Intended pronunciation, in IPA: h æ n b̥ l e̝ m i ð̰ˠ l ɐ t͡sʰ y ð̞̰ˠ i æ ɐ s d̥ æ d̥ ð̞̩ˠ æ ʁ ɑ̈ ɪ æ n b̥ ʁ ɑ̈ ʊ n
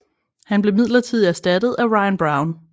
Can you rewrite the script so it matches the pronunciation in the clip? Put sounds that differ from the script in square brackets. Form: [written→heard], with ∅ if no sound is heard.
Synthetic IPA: h æ n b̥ l e̝ m i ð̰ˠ l ɐ t͡sʰ [y→i] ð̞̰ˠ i æ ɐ s d̥ æ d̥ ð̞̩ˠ æ ʁ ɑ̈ ɪ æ n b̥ ʁ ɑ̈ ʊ n